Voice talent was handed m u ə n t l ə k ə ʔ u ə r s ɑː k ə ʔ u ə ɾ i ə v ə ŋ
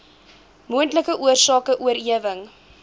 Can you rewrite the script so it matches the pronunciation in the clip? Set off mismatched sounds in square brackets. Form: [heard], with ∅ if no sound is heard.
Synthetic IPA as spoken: m u ə n t l ə k ə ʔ u ə r s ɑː k ə ʔ u ə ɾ i ə v ə ŋ